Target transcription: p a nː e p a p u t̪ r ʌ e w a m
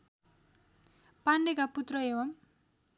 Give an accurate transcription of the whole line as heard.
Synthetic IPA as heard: p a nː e k a p u t̪ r ʌ e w ʌ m